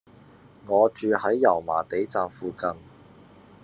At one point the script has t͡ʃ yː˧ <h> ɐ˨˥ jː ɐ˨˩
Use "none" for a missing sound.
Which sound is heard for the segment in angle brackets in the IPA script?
h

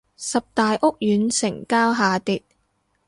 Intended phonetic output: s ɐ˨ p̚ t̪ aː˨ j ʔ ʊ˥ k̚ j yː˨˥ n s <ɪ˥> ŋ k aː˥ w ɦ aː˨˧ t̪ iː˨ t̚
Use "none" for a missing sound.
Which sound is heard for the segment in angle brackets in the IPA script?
ɪ˨˩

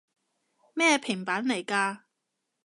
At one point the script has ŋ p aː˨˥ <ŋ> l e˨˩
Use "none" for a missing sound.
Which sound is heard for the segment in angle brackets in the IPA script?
n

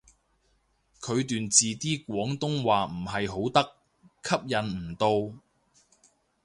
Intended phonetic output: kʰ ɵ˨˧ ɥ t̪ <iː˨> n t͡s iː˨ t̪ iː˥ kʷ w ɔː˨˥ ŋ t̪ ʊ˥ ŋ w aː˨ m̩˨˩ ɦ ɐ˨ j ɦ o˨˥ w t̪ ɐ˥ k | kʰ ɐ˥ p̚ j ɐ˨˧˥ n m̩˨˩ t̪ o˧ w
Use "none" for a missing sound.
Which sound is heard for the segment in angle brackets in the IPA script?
yː˨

